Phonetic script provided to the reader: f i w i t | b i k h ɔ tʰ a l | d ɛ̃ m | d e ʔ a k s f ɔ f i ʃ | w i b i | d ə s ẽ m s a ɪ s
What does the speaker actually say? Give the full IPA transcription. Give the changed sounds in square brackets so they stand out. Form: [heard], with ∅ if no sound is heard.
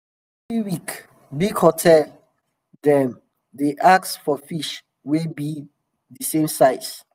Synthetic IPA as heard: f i w i [k] | b i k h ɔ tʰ [ɛ] l | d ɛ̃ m | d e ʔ a k s f ɔ f i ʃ | w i b i | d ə s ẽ m s a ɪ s